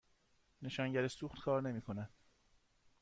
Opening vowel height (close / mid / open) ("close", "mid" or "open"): mid